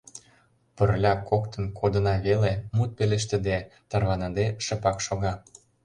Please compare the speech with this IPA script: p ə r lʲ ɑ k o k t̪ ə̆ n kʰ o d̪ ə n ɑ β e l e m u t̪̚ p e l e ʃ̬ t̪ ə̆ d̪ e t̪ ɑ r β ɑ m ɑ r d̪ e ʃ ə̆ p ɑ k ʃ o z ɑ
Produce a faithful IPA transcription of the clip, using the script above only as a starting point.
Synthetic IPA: p ə r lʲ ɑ k o k t̪ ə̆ n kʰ o d̪ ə n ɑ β e l e m u t̪̚ p e l e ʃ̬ t̪ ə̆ d̪ e t̪ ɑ r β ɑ n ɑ d̪ e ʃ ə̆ p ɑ k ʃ o ɣ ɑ